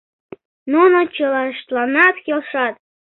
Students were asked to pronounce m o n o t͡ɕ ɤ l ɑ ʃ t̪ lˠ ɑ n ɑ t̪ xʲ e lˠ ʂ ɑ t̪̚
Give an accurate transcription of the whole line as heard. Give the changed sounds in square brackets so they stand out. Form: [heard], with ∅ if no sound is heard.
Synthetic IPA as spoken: [n] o n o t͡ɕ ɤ l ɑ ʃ t̪ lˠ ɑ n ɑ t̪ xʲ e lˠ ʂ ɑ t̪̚